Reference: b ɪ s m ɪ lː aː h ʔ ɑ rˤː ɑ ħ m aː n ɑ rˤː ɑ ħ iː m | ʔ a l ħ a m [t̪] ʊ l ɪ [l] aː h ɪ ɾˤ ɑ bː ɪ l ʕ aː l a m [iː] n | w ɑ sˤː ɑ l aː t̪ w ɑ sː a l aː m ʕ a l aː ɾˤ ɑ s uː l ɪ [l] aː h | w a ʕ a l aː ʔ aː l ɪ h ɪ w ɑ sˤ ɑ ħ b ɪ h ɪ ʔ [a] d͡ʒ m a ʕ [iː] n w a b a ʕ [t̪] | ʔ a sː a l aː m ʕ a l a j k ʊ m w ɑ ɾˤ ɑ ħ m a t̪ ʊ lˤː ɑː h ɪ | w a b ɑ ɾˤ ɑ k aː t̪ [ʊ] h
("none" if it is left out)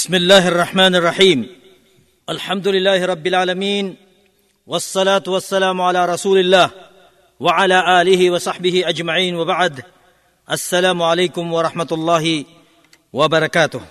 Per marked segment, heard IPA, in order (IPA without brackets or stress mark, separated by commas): d̪, lː, iː, lː, a, iː, d̪, ʊ